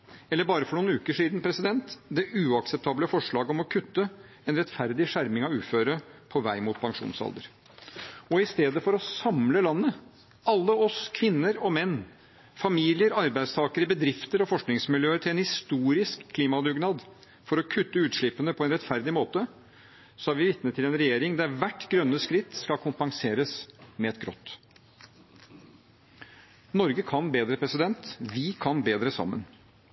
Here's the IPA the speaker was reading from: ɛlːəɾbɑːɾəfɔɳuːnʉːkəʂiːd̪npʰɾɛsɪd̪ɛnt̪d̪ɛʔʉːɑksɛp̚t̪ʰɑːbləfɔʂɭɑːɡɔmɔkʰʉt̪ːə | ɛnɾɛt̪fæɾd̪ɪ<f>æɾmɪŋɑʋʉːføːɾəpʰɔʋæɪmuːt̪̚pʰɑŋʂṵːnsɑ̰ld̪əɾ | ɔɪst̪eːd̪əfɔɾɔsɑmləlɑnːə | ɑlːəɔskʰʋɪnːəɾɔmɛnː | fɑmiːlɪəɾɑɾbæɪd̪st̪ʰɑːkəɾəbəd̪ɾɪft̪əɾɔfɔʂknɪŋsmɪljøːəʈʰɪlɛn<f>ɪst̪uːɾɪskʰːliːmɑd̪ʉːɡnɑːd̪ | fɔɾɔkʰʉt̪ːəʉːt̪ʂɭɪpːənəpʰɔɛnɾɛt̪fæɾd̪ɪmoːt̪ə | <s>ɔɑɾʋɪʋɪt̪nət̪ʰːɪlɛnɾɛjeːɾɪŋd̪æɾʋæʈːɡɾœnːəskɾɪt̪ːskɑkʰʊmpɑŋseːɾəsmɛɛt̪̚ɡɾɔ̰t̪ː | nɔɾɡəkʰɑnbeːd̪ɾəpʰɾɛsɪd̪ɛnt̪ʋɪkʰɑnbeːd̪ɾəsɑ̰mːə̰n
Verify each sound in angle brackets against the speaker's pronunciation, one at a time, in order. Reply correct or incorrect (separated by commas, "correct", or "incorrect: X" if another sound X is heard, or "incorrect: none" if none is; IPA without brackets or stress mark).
incorrect: ʂ, incorrect: h, correct